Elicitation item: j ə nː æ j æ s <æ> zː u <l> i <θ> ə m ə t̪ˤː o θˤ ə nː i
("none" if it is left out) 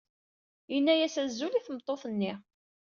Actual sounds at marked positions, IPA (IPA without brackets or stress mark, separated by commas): æ, l, θ